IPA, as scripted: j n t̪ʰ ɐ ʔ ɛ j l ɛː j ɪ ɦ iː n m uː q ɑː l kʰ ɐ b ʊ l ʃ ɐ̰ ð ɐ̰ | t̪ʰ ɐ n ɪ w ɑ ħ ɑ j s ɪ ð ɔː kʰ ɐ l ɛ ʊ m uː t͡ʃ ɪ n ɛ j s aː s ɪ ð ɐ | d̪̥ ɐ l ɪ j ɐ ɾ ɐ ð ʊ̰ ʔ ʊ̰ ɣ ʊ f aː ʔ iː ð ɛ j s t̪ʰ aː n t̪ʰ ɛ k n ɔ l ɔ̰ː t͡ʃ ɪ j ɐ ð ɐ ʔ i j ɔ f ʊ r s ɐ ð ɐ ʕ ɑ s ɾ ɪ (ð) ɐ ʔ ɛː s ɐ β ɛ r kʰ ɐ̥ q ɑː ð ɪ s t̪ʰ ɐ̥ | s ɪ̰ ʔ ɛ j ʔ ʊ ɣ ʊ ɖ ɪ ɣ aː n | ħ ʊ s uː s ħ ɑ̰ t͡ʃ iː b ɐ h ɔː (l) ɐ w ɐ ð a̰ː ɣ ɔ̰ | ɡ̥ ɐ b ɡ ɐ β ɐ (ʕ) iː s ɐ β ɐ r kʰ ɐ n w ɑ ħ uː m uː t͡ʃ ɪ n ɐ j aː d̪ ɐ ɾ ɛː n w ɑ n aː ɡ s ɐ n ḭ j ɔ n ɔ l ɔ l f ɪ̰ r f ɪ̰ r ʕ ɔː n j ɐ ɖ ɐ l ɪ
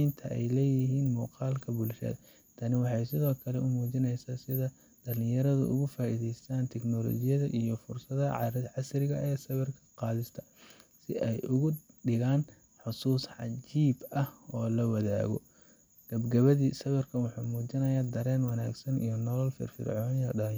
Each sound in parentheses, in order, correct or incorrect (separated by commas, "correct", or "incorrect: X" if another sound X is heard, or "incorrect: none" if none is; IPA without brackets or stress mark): incorrect: ɣ, correct, incorrect: ð